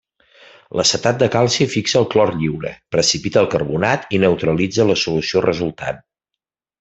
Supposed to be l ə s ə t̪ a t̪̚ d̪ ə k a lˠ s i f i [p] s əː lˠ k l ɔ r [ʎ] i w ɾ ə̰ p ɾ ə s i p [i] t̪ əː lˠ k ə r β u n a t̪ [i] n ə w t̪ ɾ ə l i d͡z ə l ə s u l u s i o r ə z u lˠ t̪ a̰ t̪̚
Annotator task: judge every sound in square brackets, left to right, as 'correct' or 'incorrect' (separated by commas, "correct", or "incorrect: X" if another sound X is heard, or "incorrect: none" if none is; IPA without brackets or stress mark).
incorrect: k, correct, correct, correct